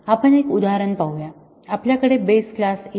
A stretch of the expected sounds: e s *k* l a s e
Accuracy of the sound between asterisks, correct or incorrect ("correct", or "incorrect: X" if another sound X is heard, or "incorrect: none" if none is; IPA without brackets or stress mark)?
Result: correct